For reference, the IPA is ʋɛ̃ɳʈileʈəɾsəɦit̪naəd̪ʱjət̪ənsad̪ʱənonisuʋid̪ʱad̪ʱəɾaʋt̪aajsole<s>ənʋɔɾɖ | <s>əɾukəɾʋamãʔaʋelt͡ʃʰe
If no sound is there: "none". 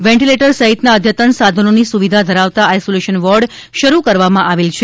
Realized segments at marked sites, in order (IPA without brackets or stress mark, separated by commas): ʃ, ʃ